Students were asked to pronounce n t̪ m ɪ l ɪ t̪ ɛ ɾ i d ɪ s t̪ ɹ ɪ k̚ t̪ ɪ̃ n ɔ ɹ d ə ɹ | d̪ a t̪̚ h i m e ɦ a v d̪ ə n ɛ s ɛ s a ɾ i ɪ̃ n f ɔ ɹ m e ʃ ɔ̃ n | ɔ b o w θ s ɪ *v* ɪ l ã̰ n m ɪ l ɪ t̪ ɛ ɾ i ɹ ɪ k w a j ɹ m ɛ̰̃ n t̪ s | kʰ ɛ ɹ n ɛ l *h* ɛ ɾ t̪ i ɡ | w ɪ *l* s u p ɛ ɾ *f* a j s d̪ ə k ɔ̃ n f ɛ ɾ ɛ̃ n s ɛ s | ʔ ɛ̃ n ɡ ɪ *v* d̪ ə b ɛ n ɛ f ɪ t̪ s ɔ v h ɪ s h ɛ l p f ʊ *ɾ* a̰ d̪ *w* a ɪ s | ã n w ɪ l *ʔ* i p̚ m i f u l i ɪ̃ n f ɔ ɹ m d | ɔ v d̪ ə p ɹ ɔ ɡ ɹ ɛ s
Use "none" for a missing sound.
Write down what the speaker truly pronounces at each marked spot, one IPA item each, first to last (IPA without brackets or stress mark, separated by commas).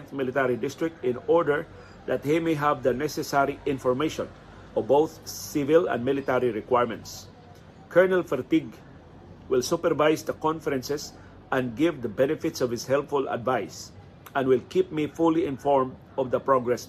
v, f, l, v, v, l, v, k